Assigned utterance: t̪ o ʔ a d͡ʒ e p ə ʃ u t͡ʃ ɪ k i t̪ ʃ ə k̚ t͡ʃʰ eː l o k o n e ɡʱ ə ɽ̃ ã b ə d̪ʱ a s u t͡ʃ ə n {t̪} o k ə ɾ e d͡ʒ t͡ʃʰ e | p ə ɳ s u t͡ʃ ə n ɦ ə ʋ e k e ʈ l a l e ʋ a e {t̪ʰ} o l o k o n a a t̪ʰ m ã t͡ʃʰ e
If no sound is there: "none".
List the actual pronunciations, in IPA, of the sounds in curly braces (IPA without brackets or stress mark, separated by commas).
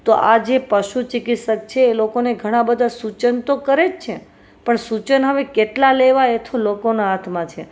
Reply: t̪, t̪ʰ